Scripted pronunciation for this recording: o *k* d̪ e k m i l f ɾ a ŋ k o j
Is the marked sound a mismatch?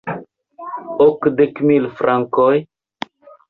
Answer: no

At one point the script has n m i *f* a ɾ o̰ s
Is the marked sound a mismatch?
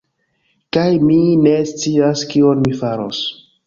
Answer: no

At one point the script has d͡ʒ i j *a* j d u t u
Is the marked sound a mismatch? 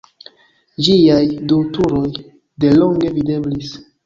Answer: no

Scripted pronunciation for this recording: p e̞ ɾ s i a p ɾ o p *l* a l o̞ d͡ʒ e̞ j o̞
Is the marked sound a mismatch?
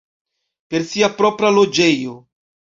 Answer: yes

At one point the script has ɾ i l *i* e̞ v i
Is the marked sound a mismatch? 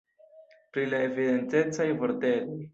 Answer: yes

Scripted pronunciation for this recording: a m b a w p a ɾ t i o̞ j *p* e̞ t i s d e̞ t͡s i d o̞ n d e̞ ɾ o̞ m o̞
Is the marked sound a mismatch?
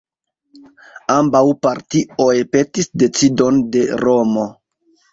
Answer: no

